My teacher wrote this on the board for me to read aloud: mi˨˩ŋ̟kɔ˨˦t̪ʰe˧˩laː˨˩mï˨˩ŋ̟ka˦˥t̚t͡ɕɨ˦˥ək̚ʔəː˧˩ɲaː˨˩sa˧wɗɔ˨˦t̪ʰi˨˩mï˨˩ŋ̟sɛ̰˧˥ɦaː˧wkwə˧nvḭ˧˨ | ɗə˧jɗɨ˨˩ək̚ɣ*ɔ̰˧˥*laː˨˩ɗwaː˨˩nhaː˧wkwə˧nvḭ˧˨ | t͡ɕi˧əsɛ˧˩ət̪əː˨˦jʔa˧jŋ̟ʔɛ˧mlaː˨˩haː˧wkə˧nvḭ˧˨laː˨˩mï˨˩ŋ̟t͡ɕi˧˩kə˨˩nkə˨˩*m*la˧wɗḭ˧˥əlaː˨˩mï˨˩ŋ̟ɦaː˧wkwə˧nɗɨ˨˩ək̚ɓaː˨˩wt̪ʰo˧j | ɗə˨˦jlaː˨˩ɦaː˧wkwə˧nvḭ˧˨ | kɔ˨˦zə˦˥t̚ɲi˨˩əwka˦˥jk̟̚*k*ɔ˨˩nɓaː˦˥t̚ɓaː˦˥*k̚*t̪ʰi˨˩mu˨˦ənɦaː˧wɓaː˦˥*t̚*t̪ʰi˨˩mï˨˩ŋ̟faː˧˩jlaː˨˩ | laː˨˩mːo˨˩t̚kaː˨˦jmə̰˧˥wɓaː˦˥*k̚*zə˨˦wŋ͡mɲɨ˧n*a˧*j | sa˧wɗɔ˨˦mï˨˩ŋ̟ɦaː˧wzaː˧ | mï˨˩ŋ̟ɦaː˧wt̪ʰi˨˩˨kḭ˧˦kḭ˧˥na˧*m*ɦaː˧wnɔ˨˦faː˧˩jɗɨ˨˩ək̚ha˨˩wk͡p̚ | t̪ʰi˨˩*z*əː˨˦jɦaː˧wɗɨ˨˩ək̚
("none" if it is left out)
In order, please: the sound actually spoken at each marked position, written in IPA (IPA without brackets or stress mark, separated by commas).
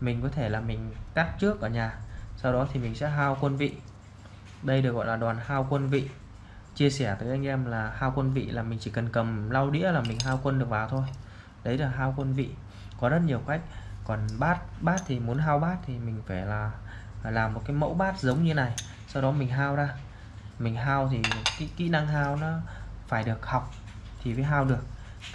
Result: ɔ̰˧˨, m, k, t̚, t̚, t̚, a˨˩, ŋ, v